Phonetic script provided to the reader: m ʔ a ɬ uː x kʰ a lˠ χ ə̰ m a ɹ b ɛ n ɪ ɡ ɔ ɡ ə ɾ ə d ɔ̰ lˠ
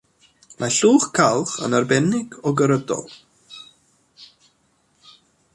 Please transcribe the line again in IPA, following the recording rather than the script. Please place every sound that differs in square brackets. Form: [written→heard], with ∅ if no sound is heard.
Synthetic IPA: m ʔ a ɬ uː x kʰ a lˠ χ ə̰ [m→n] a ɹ b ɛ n ɪ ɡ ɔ ɡ ə ɾ ə d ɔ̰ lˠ